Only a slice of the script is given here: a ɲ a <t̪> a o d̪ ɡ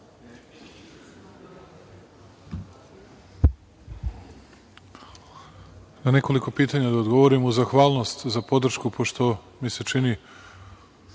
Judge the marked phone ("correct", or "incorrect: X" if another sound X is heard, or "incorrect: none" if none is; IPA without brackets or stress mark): incorrect: d̪